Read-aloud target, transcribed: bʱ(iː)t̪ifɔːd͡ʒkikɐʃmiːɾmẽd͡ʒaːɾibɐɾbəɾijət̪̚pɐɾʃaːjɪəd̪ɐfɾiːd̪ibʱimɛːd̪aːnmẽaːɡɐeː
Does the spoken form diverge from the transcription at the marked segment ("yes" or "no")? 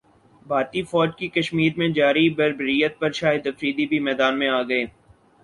yes